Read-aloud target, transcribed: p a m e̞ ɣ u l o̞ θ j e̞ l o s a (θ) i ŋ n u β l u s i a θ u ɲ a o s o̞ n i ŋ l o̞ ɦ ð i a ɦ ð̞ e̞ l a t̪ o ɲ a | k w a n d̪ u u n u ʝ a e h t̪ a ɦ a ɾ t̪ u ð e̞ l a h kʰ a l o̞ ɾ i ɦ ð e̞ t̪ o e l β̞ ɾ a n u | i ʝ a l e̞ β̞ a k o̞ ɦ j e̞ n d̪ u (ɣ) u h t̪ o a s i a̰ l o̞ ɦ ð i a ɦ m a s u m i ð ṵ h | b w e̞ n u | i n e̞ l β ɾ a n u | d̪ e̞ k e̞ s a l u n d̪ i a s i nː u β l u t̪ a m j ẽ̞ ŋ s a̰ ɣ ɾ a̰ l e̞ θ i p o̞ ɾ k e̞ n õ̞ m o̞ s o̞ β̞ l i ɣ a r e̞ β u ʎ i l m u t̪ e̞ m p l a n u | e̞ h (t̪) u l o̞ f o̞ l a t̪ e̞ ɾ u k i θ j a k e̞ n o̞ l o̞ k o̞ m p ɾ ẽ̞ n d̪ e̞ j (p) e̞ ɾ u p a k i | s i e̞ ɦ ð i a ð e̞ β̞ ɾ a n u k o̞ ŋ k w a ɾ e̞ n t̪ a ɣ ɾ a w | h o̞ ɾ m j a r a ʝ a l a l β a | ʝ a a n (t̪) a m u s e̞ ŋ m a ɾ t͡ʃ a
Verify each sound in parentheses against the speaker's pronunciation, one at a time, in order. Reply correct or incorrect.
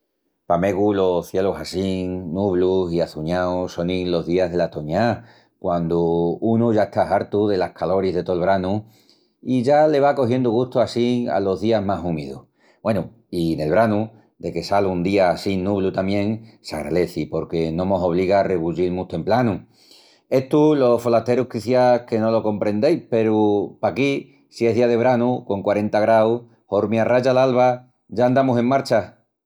incorrect, correct, correct, correct, incorrect

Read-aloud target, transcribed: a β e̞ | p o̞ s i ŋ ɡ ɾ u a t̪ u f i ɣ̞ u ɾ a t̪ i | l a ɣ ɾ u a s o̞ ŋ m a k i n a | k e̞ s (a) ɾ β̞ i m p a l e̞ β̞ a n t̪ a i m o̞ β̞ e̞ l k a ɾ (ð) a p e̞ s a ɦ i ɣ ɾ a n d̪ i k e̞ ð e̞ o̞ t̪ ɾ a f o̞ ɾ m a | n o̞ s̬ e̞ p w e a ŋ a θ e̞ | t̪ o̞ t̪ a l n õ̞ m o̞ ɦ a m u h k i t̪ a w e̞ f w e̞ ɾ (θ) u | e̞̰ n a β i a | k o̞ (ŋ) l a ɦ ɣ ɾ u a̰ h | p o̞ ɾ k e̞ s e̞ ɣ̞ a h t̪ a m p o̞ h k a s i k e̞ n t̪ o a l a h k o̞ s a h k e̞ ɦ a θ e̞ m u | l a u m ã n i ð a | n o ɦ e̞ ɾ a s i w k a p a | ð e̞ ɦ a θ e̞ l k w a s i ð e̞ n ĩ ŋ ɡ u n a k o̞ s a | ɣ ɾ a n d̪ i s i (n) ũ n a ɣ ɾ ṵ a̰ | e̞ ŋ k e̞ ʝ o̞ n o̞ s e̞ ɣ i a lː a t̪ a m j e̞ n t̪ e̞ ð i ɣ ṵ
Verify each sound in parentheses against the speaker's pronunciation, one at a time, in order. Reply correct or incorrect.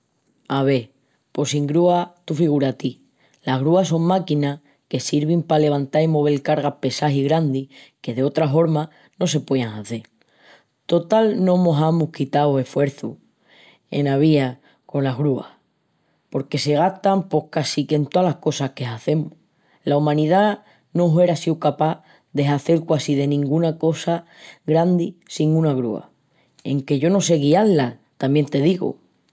incorrect, incorrect, correct, incorrect, incorrect

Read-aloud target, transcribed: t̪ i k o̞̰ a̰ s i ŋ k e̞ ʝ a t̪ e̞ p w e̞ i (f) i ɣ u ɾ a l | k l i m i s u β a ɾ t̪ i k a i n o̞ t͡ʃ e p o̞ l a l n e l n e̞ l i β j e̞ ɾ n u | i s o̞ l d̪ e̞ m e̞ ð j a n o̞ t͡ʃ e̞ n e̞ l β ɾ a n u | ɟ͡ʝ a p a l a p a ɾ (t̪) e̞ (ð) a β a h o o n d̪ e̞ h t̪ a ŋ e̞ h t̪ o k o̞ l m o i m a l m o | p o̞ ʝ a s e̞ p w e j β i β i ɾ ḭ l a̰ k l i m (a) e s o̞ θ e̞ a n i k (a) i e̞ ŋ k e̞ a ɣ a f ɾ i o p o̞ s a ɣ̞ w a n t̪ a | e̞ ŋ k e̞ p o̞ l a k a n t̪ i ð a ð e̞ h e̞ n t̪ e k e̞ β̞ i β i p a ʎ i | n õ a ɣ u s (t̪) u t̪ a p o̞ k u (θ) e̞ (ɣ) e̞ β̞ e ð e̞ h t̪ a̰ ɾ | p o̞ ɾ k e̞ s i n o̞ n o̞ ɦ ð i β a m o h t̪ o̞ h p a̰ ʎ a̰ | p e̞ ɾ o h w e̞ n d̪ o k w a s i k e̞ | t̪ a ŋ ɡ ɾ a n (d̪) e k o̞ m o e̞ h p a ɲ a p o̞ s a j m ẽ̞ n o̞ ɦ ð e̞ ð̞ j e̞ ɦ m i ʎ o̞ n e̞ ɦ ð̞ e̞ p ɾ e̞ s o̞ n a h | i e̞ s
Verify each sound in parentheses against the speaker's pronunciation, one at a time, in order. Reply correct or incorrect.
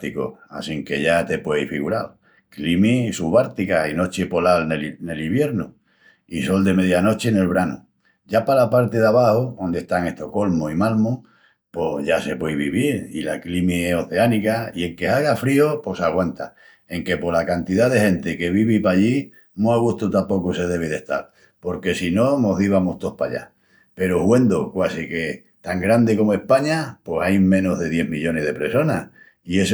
correct, correct, correct, incorrect, correct, correct, incorrect, incorrect, correct

